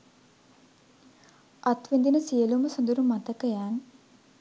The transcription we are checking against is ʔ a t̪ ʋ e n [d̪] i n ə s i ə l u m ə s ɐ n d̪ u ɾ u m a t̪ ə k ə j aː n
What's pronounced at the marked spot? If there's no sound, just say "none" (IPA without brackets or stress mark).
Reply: d̪